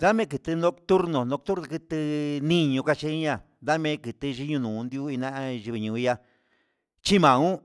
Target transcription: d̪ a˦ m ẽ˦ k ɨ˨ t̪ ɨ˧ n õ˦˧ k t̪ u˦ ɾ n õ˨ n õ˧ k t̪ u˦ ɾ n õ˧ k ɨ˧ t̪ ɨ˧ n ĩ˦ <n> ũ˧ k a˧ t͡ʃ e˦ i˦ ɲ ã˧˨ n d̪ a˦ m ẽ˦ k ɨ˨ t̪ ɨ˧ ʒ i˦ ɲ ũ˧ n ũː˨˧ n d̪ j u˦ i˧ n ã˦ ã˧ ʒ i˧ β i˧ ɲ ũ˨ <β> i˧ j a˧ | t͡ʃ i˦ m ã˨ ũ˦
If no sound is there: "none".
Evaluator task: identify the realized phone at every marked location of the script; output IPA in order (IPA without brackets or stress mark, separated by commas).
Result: ɲ, none